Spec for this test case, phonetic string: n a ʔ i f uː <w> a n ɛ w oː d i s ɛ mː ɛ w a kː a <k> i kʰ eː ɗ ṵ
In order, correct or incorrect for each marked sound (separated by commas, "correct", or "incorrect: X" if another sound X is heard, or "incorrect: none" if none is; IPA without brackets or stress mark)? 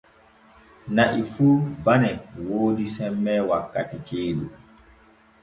incorrect: b, incorrect: t